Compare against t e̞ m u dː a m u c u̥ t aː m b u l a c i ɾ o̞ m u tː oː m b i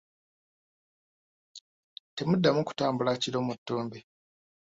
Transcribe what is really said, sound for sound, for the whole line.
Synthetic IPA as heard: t e̞ m u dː a m u k u̥ t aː m b u l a c i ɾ o̞ m u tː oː m b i